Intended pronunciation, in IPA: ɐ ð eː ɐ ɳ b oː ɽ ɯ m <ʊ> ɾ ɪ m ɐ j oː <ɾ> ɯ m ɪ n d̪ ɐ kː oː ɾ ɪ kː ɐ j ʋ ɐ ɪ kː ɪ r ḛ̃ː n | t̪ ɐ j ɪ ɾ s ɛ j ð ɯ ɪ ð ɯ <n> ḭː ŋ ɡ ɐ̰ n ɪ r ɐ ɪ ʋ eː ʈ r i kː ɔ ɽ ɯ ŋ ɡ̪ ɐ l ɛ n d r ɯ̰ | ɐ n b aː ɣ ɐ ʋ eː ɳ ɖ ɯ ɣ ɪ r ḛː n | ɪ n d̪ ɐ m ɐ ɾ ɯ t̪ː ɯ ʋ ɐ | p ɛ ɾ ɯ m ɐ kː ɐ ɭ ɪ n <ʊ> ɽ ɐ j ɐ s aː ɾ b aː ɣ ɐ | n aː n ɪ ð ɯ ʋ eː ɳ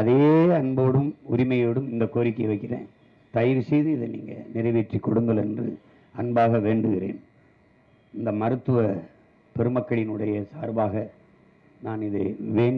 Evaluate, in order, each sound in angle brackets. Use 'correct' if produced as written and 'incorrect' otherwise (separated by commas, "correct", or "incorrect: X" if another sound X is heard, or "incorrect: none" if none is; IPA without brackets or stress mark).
correct, incorrect: ɽ, correct, incorrect: ɯ